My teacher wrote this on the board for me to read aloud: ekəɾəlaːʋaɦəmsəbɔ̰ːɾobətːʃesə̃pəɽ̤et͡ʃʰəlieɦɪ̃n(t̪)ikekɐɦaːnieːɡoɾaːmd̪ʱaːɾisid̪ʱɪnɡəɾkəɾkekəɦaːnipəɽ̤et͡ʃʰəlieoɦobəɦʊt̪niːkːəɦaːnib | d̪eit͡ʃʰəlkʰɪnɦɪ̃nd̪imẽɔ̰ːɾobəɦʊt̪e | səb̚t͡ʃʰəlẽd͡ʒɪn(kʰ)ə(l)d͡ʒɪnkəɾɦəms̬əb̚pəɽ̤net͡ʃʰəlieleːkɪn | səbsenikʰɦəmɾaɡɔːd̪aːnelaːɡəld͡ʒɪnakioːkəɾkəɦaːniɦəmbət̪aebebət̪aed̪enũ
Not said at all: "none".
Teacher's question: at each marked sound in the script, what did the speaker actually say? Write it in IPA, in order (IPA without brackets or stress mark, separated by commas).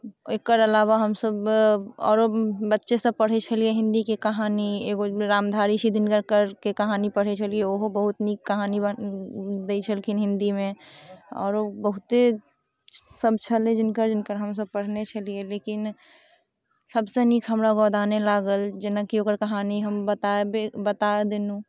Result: d̪, k, ɾ